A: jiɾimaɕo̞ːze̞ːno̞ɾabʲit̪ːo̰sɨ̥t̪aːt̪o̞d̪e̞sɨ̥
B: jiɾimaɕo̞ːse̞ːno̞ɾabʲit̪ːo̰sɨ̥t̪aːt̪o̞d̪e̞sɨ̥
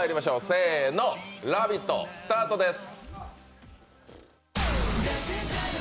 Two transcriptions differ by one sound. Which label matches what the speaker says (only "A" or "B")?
B